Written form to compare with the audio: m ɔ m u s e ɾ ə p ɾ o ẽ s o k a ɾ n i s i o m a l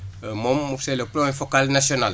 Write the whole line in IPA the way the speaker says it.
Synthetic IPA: m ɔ m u s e l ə p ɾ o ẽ f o k a l n a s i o n a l